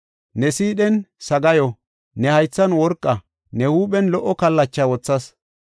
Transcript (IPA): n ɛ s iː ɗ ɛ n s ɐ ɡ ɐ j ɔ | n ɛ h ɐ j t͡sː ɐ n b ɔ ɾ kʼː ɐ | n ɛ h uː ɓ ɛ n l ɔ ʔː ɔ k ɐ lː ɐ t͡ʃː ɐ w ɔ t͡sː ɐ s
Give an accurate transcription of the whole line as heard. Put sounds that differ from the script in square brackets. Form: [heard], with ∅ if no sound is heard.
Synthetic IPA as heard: n ɛ s iː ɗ ɛ n s ɐ ɡ ɐ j ɔ | n ɛ h ɐ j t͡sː ɐ n [w] ɔ ɾ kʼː ɐ | n ɛ h uː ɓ ɛ n l ɔ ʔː ɔ k ɐ lː ɐ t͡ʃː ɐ w ɔ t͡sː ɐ s